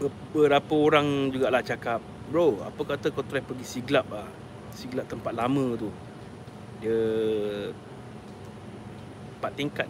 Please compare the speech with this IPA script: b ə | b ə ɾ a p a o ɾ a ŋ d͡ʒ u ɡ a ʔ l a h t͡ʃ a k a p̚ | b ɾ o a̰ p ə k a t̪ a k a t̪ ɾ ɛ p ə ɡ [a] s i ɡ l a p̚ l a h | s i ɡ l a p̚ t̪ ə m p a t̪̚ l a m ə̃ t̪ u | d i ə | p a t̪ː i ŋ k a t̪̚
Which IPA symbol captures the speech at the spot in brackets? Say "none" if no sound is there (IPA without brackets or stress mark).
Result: i